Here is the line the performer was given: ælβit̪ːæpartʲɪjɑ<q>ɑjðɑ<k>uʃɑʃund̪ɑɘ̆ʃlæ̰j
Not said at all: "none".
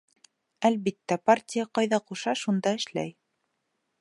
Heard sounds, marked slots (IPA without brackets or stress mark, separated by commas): q, q